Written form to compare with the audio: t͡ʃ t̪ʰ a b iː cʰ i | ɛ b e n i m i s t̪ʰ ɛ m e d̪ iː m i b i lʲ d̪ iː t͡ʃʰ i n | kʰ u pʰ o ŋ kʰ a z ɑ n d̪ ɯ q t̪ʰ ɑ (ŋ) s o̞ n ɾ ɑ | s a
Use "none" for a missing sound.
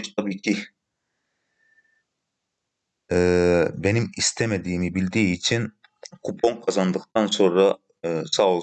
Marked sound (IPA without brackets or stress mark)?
n